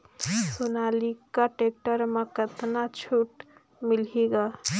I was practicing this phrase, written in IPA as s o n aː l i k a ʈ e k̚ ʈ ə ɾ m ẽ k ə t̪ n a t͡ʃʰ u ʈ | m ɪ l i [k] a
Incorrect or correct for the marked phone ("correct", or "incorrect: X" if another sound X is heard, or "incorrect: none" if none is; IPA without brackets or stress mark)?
incorrect: ɡ